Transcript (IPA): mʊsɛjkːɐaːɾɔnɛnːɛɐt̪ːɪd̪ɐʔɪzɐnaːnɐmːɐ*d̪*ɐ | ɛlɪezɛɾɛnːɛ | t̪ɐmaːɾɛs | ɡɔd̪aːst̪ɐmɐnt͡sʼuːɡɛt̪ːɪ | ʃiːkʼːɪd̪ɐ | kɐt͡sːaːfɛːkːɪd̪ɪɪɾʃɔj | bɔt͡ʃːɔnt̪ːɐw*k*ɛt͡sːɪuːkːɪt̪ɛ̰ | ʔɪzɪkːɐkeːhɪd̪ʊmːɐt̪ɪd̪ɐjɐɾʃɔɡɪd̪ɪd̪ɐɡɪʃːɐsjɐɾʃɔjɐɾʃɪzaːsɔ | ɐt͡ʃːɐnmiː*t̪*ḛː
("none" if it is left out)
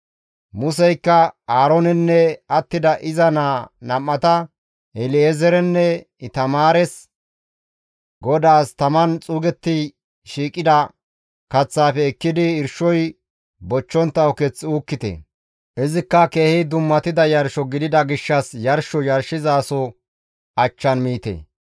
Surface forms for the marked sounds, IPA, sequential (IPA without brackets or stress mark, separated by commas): t̪, k, t̪